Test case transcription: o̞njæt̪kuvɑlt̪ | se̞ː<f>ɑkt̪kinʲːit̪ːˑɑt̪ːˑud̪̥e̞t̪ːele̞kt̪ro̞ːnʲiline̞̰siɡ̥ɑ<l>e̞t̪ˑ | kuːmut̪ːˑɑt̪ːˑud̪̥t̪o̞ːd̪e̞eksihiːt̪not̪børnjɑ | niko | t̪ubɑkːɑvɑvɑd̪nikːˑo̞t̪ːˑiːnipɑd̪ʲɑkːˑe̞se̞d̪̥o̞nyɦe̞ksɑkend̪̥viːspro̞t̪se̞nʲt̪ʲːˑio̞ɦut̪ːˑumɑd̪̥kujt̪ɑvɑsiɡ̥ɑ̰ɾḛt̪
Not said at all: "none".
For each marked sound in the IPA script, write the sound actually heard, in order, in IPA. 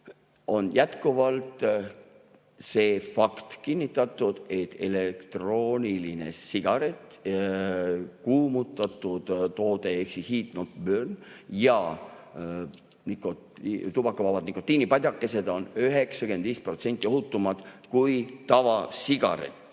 f, ɾ

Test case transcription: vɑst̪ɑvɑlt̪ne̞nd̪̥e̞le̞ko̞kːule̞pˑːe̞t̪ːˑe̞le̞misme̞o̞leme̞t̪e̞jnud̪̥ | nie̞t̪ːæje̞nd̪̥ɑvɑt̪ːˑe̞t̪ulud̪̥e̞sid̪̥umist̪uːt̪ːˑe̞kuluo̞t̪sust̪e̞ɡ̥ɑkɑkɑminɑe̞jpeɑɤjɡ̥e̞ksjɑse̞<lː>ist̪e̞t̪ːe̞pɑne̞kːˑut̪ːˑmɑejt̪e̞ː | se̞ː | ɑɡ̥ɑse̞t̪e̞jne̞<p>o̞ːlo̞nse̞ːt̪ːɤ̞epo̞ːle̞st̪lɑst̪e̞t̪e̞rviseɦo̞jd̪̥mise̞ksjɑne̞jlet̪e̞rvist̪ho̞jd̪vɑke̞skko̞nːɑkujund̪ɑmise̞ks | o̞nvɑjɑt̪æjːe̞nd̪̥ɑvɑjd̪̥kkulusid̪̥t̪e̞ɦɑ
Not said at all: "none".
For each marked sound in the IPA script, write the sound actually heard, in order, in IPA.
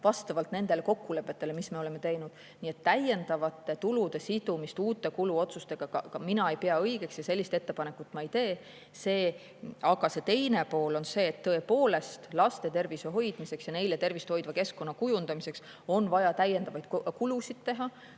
lː, p

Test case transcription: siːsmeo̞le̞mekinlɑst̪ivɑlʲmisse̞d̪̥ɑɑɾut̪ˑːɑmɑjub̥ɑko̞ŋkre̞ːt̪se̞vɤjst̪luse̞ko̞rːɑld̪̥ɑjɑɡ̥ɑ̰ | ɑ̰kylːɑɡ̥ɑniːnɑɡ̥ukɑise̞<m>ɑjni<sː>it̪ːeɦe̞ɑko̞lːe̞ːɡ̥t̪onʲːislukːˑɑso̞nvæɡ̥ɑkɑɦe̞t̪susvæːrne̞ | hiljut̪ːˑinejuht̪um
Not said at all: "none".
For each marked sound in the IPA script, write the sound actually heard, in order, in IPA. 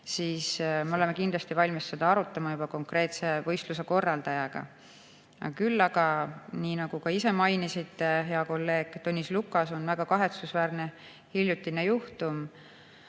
m, s

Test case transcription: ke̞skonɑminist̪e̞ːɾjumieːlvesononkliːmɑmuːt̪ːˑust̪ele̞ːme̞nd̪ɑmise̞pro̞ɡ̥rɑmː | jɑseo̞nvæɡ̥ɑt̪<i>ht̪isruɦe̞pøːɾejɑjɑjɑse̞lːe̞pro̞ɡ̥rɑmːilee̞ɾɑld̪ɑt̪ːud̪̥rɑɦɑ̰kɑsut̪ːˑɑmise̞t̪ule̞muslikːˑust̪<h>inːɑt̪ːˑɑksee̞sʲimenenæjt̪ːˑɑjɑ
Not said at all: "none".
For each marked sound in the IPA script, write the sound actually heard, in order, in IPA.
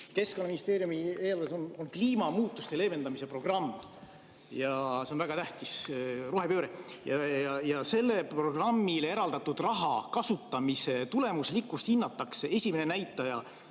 æ, h

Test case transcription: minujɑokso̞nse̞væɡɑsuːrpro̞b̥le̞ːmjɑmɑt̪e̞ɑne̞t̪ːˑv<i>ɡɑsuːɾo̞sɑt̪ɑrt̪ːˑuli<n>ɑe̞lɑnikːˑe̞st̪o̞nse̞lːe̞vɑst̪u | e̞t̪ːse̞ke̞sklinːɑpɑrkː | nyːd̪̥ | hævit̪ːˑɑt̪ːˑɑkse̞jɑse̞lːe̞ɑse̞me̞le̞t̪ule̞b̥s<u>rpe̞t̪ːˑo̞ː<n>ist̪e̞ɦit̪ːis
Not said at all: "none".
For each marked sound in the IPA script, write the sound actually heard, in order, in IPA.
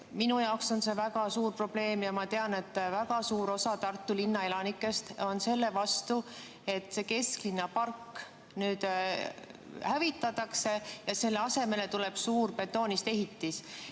æ, nː, uː, n

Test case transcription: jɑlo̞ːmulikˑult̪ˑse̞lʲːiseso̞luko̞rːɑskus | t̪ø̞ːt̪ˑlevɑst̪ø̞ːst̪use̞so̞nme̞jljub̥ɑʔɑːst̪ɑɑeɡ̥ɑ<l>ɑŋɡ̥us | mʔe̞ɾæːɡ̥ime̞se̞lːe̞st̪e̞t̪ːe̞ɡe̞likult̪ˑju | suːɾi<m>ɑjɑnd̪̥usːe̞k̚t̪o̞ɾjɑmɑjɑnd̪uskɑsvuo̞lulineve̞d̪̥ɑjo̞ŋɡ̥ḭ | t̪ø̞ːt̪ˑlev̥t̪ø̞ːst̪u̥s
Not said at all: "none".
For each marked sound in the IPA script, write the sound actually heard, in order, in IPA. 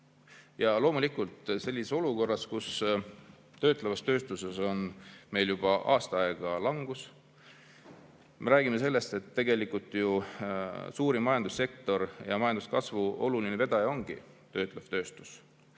l, m

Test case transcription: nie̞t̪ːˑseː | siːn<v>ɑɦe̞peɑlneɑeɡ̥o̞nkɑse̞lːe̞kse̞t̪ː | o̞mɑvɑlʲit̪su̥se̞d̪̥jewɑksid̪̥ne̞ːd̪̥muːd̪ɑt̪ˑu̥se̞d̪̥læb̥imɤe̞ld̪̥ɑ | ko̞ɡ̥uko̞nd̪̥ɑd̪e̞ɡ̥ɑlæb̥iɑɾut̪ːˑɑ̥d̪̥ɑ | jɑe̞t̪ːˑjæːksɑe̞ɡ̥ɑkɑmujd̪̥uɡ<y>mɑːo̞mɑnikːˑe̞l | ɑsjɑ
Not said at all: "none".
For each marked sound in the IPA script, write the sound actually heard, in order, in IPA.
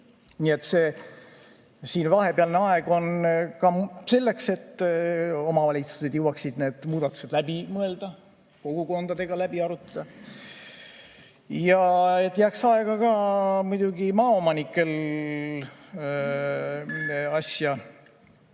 v, i

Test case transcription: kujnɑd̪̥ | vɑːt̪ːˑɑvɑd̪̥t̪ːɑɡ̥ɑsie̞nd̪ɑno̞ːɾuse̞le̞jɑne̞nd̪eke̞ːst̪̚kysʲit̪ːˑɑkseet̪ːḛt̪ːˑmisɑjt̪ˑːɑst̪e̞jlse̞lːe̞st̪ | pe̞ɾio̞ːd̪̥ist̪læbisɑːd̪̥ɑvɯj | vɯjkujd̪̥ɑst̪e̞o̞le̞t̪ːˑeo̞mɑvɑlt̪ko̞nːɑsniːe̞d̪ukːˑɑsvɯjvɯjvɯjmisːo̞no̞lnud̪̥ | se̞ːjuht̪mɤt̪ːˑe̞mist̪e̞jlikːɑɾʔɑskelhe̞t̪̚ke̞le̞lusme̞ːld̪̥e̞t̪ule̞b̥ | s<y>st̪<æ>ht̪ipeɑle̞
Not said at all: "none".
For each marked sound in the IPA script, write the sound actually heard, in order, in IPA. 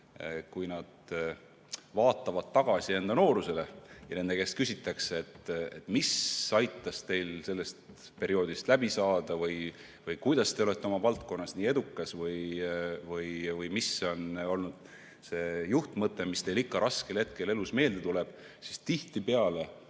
i, i

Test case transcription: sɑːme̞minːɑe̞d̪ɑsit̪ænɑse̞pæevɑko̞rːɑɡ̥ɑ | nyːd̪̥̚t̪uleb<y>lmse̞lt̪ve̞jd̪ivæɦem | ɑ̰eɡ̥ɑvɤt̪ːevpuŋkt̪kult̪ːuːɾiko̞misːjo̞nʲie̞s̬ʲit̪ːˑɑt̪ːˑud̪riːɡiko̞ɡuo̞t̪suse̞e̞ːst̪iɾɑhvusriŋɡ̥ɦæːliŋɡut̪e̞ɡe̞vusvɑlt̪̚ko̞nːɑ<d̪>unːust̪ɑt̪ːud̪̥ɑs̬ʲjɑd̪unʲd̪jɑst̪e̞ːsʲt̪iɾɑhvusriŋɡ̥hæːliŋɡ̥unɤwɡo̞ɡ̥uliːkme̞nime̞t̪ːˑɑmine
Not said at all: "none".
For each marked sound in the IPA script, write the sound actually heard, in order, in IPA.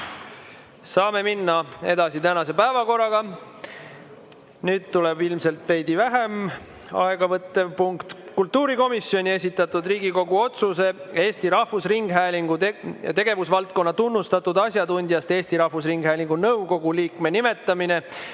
i, t̪

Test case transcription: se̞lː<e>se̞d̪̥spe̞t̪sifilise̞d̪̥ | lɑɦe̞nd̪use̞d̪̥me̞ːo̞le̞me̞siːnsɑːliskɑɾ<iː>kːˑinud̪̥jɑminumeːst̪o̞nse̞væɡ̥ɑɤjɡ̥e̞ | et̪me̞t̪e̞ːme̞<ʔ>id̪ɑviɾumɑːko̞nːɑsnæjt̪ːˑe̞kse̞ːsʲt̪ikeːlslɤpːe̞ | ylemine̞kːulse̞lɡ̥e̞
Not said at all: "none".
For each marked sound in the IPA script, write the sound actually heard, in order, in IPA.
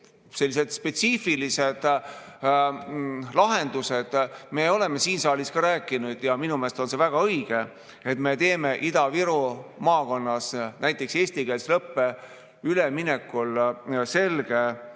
i, æː, ʔ

